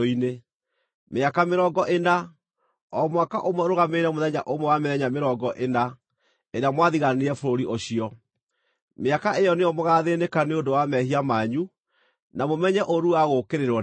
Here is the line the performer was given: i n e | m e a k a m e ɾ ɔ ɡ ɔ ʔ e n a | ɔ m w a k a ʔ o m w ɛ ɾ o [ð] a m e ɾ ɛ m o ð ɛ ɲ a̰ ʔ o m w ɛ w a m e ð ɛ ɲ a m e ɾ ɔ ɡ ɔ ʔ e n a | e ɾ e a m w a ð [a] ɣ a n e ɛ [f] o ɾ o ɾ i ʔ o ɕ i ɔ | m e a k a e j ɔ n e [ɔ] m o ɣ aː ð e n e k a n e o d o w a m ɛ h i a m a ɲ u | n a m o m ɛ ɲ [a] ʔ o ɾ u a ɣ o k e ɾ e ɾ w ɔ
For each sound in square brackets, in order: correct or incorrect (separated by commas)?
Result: incorrect, incorrect, correct, correct, incorrect